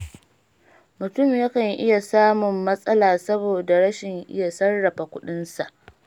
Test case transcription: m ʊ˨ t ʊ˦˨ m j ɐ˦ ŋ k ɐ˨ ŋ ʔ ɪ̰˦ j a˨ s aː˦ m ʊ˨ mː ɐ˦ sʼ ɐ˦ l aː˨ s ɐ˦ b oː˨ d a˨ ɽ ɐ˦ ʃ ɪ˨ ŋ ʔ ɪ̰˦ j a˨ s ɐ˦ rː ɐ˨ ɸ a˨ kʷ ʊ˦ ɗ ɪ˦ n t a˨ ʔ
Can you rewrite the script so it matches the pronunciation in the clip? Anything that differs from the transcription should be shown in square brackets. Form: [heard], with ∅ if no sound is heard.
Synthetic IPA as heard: m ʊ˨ t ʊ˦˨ m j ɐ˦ [∅] k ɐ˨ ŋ ʔ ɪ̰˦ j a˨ s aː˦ m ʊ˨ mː ɐ˦ sʼ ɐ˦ l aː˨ s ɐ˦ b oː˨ d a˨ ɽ ɐ˦ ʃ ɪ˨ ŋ ʔ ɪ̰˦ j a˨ s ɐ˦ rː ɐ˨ ɸ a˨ kʷ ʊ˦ ɗ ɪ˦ n [s] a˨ ʔ